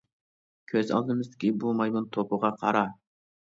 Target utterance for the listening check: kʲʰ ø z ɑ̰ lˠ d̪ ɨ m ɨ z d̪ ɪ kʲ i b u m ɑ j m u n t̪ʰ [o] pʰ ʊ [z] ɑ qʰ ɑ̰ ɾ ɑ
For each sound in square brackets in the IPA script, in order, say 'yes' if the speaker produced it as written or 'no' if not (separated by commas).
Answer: yes, no